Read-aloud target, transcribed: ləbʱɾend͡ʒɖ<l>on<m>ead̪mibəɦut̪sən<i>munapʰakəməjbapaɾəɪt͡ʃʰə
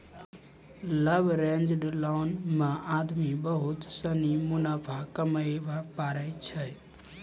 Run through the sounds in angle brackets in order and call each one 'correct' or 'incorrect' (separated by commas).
correct, correct, correct